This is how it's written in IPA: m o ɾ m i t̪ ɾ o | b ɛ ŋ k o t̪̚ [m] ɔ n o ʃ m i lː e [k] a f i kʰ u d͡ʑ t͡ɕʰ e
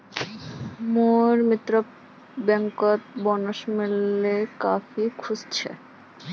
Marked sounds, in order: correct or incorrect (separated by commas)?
incorrect, correct